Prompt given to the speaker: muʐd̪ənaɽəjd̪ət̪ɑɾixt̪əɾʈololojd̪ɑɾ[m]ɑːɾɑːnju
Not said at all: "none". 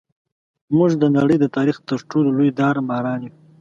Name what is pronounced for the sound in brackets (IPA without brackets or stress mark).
m